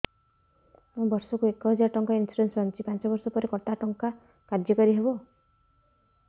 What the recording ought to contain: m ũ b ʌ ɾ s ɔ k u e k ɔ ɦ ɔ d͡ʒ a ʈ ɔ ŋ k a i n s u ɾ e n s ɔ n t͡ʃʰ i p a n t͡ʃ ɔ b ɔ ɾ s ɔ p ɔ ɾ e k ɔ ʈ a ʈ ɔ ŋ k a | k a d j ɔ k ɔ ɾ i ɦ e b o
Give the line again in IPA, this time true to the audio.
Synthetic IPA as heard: m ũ b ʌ ɾ s ɔ k u e k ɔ ɦ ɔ d͡ʒ a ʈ ɔ ŋ k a i n s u ɾ e n s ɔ n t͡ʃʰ i p a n t͡ʃ ɔ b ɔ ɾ s ɔ p ɔ ɾ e k ɔ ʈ a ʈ ɔ ŋ k a | k a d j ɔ k ɔ ɾ i ɦ e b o